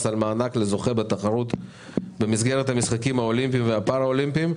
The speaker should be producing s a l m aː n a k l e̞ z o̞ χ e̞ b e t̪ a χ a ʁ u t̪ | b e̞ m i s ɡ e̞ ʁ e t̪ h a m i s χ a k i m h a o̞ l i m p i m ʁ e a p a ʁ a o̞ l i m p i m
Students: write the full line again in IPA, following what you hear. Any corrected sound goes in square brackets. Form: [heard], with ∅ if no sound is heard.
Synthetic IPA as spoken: s a l m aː n a k l e̞ z o̞ χ e̞ b e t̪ a χ a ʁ u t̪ | b e̞ m i s ɡ e̞ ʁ e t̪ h a m i s χ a k i m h a o̞ l i m p i m [v] e a p a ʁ a o̞ l i m p i m